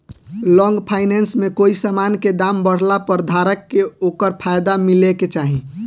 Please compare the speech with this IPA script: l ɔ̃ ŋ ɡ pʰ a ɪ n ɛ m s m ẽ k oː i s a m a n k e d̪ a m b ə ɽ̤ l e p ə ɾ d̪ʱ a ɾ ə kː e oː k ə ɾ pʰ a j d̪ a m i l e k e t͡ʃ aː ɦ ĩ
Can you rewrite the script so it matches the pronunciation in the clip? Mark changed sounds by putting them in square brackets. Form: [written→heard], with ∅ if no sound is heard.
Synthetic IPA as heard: l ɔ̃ ŋ ɡ pʰ a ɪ n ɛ [m→n] s m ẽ k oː i s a m a n k e d̪ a m b ə ɽ̤ l [e→a] p ə ɾ d̪ʱ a ɾ ə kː e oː k ə ɾ pʰ a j d̪ a m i l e k e t͡ʃ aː ɦ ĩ